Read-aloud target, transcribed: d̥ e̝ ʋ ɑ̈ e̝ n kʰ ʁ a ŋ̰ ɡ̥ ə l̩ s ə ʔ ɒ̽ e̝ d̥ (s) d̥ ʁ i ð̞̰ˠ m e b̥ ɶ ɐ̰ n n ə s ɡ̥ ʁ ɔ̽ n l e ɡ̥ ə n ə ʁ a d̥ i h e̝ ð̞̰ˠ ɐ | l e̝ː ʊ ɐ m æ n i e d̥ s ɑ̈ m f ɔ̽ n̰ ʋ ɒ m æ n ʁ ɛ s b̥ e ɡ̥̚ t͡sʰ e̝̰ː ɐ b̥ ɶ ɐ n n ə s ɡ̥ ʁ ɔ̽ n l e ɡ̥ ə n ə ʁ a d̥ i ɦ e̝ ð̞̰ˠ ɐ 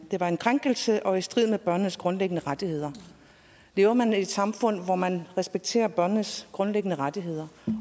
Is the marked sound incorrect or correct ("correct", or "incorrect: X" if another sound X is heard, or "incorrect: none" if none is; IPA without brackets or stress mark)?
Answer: correct